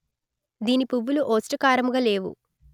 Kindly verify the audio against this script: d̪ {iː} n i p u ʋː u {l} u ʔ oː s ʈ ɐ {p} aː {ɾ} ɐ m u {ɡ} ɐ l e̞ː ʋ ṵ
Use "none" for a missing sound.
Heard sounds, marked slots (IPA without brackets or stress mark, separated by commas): iː, l, k, ɾ, ɡ